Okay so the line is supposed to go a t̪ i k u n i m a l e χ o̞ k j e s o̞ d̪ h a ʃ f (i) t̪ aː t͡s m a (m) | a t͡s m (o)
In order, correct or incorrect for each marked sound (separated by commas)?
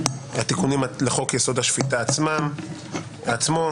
correct, correct, correct